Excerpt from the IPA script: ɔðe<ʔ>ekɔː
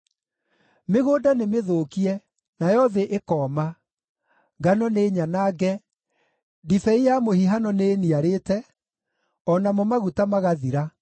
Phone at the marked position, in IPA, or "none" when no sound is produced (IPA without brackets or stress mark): ʔ